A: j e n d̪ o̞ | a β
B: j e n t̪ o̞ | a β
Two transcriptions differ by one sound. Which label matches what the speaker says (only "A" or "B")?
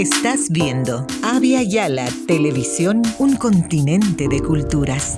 A